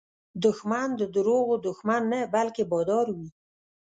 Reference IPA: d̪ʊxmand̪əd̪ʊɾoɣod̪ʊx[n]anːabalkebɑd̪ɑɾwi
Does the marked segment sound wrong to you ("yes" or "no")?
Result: yes